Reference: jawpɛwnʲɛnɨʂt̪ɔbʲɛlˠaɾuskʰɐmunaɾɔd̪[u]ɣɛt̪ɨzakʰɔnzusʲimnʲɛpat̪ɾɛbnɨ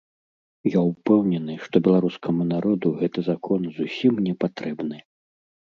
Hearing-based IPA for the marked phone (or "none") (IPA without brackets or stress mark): u